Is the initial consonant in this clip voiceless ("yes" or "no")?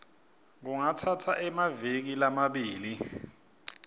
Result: no